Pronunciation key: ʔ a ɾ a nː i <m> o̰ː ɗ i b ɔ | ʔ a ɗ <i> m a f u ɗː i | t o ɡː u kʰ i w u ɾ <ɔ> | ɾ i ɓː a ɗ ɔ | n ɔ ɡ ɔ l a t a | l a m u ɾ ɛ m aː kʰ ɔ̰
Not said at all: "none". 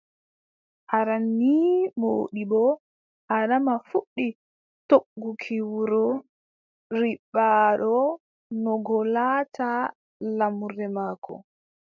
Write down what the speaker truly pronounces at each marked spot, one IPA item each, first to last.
m, a, ɔ

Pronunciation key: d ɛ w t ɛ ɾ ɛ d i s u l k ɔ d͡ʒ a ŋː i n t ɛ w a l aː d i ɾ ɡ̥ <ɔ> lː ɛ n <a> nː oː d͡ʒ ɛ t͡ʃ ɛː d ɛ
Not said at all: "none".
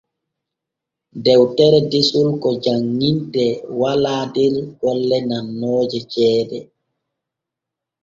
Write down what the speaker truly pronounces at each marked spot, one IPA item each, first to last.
ɔ, a

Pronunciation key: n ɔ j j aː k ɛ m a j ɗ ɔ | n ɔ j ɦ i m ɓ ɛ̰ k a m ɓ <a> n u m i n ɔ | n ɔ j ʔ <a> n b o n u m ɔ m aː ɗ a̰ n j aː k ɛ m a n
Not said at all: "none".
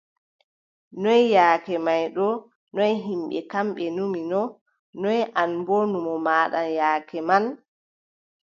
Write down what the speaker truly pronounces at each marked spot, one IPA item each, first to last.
ɛ, a

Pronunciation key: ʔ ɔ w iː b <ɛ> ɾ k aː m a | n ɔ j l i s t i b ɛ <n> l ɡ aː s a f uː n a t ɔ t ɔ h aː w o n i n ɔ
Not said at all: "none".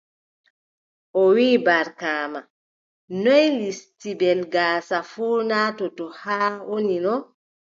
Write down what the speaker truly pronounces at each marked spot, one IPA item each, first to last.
a, none

